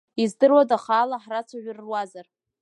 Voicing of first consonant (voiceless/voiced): voiced